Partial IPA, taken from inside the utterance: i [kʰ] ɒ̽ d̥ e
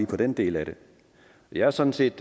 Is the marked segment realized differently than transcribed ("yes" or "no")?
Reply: yes